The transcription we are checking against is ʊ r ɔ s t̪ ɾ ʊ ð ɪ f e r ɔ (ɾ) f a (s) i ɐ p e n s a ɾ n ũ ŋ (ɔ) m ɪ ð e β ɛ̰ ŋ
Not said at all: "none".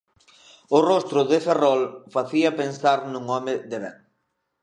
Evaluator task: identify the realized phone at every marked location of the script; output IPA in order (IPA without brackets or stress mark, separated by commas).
l, θ, ɔ